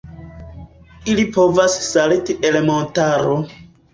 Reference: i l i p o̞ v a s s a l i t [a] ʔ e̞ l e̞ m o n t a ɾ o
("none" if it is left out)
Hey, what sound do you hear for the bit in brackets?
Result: i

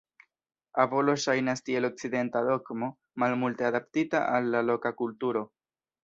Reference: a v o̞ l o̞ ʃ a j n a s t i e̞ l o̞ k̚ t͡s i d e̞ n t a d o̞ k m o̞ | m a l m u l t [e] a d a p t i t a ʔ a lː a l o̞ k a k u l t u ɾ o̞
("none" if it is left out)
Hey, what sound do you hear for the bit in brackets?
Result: e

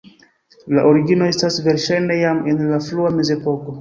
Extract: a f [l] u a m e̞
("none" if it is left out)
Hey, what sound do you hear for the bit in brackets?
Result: l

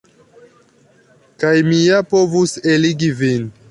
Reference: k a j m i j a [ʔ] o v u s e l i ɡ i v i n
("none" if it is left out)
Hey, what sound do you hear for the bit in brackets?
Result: p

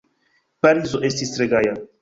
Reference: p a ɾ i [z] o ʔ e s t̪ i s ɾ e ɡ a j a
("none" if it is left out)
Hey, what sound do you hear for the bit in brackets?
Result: z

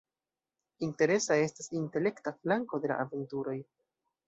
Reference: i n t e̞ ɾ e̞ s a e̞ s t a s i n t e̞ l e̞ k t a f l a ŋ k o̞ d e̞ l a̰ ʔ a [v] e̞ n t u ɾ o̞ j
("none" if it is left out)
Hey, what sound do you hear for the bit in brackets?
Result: v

